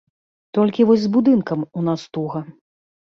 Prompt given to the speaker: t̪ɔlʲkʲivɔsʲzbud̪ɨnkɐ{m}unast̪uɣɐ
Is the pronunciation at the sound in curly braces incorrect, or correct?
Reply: correct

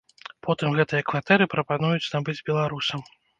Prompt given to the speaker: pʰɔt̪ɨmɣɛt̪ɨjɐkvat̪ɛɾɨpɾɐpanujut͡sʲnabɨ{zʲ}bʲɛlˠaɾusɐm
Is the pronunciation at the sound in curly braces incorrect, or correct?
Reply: incorrect: d͡zʲ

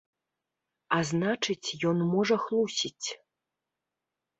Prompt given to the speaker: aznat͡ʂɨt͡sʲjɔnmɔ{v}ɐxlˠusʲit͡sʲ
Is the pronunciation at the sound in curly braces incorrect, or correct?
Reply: incorrect: ʐ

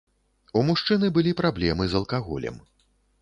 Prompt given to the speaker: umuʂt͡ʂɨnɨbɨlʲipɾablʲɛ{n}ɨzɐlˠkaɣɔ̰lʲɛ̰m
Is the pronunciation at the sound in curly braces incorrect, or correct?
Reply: incorrect: m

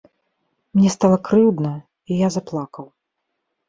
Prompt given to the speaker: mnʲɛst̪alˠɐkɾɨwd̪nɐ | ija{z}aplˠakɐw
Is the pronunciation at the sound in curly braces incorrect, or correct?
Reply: correct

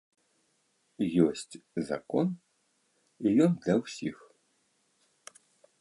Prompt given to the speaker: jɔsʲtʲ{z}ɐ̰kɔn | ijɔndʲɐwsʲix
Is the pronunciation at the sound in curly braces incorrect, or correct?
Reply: correct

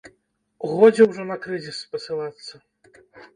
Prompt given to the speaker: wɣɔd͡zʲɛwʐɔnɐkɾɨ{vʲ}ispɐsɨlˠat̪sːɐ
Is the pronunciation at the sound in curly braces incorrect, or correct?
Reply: incorrect: zʲ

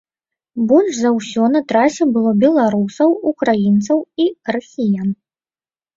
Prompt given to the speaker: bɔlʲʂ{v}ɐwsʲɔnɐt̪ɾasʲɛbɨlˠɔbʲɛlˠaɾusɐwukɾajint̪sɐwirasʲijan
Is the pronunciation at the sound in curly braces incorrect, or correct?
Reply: incorrect: z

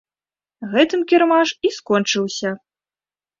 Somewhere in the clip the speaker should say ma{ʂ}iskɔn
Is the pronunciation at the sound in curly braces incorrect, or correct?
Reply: correct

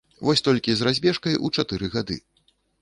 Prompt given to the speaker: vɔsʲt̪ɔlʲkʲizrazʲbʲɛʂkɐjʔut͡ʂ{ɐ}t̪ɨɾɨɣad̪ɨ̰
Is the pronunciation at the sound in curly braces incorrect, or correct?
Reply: incorrect: a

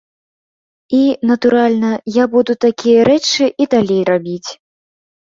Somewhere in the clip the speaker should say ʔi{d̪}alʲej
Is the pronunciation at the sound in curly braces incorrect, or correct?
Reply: correct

